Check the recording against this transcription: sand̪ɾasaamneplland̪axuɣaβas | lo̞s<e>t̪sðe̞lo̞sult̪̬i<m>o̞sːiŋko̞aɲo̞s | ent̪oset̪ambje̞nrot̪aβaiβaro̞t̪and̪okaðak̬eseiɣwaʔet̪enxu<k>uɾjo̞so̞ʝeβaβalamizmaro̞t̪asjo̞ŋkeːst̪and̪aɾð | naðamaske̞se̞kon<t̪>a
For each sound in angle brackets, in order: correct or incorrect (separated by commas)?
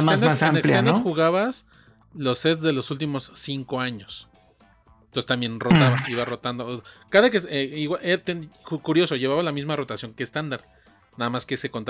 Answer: correct, correct, correct, correct